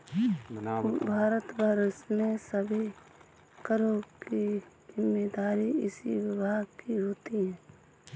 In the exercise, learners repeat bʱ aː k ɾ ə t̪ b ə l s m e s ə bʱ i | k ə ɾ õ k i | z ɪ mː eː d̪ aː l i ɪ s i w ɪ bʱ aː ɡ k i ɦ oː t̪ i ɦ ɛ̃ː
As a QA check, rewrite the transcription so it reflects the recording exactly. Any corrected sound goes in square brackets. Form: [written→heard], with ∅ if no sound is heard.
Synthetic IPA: bʱ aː [k→∅] ɾ ə t̪ b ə [l→ɾ] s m e s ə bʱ i | k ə ɾ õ k i | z ɪ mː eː d̪ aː [l→ɾ] i ɪ s i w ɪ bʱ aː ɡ k i ɦ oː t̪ i ɦ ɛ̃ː